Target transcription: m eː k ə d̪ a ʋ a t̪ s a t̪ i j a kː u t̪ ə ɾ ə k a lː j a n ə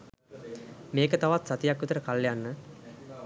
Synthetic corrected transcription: m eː k ə t̪ a ʋ a t̪ s a t̪ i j a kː u t̪ ə ɾ ə k a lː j a nː ə